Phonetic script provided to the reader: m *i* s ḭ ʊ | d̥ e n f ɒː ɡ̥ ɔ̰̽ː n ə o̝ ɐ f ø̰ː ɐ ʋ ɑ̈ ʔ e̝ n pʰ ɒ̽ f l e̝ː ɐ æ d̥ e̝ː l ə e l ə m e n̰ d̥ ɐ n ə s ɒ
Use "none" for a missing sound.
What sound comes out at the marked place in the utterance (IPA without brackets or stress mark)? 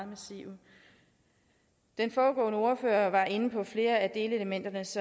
æ